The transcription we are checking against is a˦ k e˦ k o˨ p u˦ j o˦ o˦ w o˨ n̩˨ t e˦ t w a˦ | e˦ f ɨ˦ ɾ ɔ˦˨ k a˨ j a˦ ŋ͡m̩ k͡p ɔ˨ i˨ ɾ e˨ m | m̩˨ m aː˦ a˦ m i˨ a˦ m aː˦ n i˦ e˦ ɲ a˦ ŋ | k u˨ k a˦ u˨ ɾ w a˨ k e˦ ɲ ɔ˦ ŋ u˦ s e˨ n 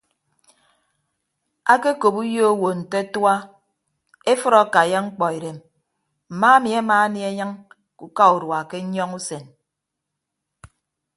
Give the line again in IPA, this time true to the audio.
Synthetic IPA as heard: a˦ k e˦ k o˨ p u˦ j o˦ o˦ w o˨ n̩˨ t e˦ t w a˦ | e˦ f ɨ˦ ɾ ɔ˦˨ k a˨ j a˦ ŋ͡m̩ k͡p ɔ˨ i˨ ɾ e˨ m | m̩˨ m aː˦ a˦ m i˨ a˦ m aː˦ n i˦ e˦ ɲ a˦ ŋ | k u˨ k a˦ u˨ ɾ w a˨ k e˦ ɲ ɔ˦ ŋ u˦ s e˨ n